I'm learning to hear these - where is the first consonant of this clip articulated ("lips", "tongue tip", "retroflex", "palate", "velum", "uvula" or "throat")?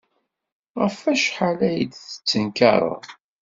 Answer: uvula